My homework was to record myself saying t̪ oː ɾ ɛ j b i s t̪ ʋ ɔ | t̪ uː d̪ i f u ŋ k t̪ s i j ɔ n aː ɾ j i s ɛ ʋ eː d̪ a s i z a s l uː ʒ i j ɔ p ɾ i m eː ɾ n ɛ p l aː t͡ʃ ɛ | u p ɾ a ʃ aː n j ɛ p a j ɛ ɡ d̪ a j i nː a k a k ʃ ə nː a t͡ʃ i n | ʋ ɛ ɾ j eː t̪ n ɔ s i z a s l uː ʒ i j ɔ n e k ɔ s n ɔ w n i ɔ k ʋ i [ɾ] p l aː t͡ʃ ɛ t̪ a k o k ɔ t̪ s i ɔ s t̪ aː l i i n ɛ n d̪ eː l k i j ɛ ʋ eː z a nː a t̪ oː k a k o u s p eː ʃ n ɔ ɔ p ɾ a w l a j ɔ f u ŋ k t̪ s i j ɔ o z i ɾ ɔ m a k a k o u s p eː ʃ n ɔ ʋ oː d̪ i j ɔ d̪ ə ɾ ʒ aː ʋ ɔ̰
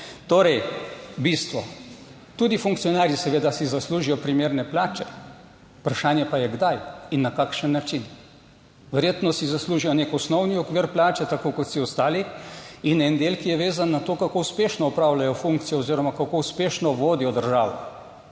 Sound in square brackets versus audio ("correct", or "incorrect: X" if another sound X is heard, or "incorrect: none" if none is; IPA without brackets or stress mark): correct